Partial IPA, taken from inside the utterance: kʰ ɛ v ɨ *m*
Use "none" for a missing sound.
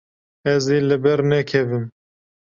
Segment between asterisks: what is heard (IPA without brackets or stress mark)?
m